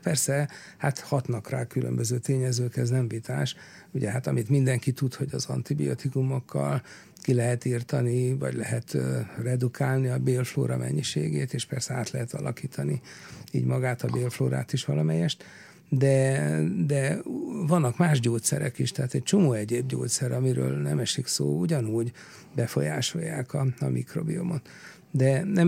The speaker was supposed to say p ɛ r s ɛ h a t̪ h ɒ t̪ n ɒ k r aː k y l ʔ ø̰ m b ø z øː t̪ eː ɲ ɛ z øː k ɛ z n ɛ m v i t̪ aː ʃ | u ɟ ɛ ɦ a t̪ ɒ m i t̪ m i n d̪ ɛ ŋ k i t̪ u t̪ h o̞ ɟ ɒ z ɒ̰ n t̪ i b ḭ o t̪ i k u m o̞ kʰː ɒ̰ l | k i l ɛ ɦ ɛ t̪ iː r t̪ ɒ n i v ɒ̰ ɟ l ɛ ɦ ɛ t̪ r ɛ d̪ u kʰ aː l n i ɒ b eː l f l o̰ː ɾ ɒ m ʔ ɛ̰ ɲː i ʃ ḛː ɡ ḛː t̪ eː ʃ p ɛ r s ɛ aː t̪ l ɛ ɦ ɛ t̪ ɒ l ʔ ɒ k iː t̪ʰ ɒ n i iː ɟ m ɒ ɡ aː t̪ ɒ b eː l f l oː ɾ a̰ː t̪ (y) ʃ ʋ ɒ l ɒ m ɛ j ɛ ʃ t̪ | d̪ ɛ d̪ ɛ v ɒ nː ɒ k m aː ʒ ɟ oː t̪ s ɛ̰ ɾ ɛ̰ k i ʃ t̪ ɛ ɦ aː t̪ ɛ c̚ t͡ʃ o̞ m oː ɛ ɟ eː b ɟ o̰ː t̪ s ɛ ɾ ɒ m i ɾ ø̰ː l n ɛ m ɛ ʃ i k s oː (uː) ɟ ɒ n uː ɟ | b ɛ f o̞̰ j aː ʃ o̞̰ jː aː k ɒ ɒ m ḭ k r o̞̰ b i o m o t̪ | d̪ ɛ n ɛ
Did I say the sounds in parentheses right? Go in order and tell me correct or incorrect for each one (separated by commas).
incorrect, incorrect